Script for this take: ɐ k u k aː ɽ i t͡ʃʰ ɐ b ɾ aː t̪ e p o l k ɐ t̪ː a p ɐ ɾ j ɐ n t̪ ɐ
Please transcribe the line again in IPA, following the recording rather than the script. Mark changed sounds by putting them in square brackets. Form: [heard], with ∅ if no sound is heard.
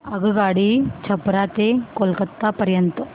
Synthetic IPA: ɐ [ɡ] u [ɡ] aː ɽ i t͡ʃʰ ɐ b ɾ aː t̪ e [k] o l k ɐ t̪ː a p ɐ ɾ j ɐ n t̪ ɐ